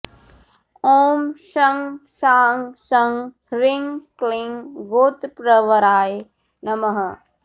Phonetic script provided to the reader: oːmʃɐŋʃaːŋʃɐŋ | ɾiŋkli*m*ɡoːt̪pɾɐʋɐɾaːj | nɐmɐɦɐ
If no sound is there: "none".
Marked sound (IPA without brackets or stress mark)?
ŋ